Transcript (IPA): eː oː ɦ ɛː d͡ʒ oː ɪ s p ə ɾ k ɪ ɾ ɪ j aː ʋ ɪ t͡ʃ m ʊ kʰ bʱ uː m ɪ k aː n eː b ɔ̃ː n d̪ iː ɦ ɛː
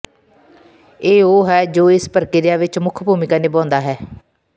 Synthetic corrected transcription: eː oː ɦ ɛː d͡ʒ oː ɪ s p ə ɾ k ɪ ɾ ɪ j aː ʋ ɪ t͡ʃ m ʊ kʰ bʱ uː m ɪ k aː n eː b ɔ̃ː n d̪ aː ɦ ɛː